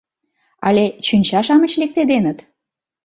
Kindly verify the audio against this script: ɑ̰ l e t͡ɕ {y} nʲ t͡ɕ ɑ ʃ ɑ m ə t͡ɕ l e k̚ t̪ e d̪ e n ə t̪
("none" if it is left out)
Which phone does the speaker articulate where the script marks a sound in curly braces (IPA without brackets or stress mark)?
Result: y